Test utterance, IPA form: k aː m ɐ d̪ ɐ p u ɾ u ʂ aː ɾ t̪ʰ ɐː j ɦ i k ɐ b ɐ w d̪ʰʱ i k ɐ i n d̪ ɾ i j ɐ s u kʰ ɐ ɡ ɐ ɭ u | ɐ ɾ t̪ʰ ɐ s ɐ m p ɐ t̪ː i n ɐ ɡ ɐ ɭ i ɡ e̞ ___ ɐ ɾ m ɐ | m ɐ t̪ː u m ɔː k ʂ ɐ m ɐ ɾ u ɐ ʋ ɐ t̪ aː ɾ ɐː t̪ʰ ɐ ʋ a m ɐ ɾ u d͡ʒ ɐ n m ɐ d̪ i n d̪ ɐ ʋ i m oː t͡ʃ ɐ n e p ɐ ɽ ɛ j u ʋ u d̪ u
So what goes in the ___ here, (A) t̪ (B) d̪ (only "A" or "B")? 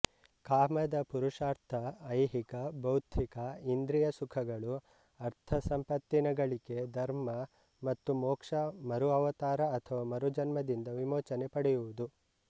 B